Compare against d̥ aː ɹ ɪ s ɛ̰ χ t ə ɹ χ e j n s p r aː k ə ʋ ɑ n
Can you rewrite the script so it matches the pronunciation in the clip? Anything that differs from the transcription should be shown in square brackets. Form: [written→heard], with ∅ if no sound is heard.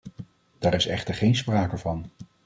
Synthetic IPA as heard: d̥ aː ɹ ɪ s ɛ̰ χ t ə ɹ χ e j n s p r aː k ə [ʋ→v] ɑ n